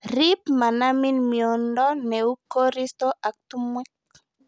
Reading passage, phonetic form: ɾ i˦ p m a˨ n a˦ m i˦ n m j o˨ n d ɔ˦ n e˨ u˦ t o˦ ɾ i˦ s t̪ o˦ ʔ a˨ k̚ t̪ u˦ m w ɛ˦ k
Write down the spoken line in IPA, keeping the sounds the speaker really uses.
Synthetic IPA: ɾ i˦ p m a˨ n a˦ m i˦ n m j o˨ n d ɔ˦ n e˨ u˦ k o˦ ɾ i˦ s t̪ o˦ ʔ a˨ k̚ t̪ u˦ m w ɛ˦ k